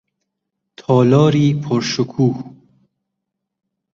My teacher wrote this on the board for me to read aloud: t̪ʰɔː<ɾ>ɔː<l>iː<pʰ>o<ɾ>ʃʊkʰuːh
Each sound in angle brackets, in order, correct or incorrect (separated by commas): incorrect, incorrect, correct, correct